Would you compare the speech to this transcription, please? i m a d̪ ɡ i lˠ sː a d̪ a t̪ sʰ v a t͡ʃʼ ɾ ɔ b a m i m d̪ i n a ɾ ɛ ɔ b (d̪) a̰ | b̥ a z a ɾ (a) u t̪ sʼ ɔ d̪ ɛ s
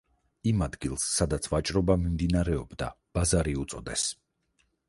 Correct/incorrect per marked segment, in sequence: correct, incorrect

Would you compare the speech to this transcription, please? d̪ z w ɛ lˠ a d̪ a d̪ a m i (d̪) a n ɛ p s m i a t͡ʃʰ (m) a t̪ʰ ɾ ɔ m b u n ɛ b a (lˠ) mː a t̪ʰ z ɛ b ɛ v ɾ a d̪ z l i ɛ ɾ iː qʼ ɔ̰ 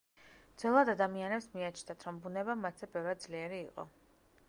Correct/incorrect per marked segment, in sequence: incorrect, incorrect, incorrect

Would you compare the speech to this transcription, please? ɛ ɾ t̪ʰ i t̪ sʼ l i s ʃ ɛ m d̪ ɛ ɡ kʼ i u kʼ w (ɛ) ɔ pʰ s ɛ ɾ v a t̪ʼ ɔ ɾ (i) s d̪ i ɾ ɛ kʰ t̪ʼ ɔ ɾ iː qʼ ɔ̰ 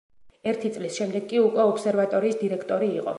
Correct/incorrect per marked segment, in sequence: correct, incorrect

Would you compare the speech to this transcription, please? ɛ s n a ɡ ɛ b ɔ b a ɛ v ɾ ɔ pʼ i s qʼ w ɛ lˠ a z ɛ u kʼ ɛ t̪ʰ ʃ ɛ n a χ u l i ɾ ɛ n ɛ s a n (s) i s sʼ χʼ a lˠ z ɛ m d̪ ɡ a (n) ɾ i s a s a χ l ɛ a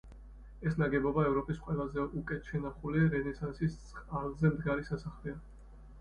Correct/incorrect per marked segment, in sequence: correct, incorrect

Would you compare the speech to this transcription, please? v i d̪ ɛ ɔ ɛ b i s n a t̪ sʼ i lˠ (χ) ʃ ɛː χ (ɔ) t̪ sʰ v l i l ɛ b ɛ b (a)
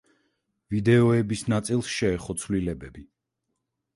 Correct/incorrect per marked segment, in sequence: incorrect, correct, incorrect

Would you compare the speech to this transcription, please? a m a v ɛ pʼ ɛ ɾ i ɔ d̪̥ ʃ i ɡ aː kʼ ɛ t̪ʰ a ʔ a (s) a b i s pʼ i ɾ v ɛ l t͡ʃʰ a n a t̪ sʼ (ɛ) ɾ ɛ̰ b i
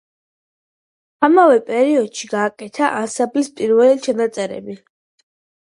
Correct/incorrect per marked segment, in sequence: correct, correct

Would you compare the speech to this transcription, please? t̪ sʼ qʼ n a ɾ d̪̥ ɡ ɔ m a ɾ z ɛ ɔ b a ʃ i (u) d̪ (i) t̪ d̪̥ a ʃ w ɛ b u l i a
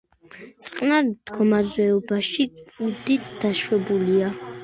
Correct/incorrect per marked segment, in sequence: correct, correct

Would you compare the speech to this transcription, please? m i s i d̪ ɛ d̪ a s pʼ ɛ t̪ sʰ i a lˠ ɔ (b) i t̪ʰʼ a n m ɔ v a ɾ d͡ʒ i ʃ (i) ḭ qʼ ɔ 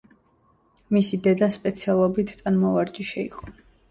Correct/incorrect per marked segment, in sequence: correct, incorrect

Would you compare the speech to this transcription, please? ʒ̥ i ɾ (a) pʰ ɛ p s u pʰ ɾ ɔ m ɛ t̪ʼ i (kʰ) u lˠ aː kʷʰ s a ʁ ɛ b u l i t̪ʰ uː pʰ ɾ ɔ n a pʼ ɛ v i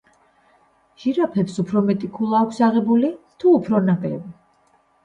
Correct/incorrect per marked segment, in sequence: correct, correct

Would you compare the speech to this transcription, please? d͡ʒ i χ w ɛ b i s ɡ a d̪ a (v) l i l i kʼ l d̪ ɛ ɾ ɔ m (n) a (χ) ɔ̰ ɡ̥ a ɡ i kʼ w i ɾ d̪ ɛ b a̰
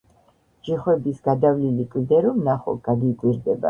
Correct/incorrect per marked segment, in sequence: correct, correct, correct

